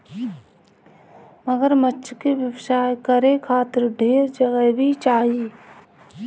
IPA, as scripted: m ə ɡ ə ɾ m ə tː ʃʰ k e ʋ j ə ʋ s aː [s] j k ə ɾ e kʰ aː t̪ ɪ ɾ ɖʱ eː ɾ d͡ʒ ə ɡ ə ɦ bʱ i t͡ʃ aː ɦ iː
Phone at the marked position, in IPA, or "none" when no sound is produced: none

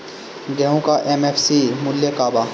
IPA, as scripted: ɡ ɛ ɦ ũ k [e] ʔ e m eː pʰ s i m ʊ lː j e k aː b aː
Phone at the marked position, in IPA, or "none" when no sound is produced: a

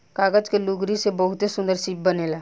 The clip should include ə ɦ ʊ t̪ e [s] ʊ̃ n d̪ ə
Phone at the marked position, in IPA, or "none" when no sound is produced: s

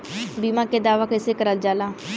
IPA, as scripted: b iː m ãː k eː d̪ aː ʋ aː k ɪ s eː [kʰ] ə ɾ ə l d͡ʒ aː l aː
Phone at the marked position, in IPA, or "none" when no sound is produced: k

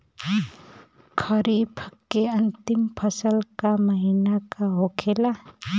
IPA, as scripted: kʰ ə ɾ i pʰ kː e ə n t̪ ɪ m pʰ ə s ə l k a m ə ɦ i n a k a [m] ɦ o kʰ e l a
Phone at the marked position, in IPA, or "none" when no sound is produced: none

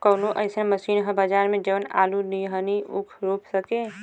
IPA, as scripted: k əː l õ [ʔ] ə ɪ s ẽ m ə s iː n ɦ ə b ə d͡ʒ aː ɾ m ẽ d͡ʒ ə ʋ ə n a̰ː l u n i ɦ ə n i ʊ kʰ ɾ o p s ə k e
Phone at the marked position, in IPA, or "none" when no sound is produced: ʔ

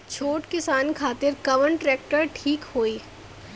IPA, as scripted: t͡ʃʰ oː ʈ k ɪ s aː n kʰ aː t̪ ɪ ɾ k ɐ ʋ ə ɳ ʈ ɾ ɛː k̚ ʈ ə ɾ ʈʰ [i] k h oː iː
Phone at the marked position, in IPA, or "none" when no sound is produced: iː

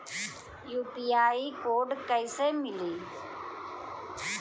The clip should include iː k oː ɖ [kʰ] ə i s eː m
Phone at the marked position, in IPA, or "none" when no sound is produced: k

